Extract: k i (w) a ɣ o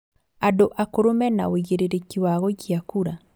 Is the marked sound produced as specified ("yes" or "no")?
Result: yes